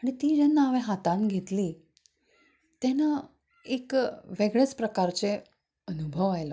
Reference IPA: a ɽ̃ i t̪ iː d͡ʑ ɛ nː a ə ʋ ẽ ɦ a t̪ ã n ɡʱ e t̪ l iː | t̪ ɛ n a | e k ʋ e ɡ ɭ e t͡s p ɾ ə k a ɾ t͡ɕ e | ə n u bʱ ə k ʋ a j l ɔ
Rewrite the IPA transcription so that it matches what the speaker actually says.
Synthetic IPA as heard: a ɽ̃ i t̪ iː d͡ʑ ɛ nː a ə ʋ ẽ ɦ a t̪ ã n ɡʱ e t̪ l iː | t̪ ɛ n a | e k ʋ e ɡ ɭ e t͡s p ɾ ə k a ɾ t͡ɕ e | ə n u bʱ ə ʋ a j l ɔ